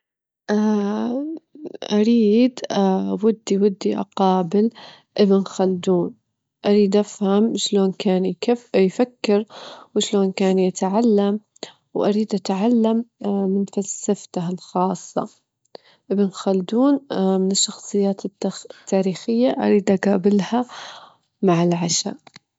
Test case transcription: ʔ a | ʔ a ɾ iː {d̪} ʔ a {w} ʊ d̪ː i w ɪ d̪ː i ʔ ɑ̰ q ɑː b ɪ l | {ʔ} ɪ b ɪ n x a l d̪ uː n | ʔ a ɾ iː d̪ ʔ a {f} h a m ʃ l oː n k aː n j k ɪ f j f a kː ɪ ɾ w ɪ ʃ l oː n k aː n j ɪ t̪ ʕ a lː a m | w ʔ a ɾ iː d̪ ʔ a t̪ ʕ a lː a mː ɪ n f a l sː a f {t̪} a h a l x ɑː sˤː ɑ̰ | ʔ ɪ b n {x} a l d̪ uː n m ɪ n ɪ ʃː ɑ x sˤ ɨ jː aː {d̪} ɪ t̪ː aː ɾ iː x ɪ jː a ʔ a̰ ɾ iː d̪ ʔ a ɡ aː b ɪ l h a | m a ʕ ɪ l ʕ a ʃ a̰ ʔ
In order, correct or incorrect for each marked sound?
correct, correct, correct, correct, correct, correct, incorrect: t̪

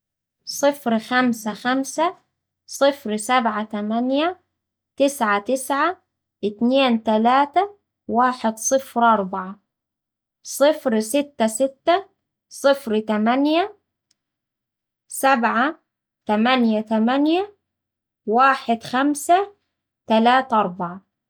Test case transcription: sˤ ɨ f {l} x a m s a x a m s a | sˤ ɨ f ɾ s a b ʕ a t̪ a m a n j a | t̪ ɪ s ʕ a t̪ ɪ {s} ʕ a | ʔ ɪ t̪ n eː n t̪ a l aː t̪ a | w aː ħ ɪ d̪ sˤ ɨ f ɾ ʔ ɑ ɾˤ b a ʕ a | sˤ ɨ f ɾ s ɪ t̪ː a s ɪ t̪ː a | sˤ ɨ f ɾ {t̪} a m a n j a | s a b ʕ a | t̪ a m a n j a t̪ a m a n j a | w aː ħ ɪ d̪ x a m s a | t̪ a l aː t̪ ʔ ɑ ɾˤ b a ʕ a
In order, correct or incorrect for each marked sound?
incorrect: ɾ, correct, correct

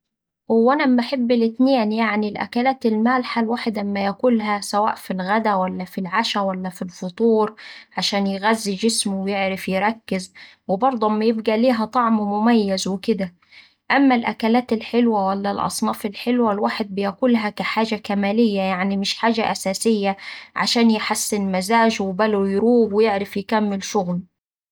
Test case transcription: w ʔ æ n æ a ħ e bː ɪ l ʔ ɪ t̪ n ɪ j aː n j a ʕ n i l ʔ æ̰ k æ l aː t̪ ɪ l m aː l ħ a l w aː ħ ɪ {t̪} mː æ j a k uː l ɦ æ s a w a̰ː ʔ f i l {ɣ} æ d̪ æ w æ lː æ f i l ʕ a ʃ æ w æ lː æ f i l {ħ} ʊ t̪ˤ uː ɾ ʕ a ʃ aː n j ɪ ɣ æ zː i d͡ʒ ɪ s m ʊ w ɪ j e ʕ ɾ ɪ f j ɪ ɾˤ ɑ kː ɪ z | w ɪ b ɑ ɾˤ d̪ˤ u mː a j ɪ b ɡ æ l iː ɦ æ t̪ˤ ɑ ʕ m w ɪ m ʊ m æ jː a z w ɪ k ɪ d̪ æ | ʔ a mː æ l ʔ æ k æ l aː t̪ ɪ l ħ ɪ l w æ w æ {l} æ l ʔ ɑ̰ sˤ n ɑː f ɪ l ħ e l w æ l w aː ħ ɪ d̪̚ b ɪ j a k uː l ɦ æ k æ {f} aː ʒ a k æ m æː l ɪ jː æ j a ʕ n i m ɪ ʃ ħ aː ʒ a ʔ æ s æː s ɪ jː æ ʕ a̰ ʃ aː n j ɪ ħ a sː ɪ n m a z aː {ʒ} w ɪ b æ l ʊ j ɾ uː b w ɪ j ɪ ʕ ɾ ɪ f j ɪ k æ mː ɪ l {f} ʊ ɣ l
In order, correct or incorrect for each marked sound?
incorrect: d̪, correct, incorrect: f, incorrect: lː, incorrect: ħ, correct, incorrect: ʃ

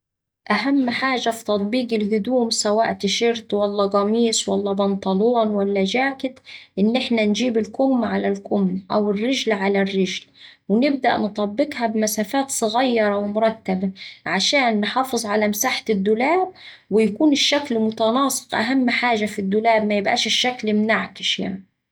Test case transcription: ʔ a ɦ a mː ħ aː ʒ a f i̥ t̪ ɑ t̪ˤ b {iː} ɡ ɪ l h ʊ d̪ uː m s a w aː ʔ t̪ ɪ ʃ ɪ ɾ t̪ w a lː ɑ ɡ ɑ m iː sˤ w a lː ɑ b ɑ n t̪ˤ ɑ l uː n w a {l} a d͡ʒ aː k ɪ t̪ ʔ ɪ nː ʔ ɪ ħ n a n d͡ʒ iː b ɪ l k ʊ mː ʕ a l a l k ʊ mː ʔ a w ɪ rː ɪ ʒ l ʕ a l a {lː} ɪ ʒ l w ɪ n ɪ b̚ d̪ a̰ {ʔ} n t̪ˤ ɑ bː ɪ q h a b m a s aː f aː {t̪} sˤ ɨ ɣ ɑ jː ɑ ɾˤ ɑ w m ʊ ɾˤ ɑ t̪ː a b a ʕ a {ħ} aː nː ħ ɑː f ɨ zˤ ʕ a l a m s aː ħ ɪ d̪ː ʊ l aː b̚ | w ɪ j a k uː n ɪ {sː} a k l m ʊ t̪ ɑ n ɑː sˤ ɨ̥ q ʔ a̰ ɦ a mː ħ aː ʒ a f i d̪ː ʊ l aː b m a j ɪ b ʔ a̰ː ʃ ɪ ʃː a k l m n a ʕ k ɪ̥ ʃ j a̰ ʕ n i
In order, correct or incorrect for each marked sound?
correct, incorrect: lː, incorrect: rː, correct, correct, incorrect: ʃ, incorrect: ʃː

